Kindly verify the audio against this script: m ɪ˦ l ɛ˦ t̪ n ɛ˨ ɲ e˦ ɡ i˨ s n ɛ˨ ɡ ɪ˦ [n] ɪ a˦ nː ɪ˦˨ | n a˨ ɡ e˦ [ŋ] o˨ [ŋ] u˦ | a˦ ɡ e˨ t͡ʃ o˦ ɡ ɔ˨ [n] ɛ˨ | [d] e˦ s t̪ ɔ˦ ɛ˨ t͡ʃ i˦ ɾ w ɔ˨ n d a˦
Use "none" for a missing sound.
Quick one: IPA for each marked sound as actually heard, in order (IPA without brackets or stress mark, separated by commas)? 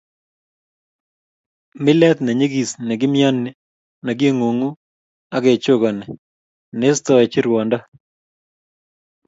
m, ŋ, ŋ, n, n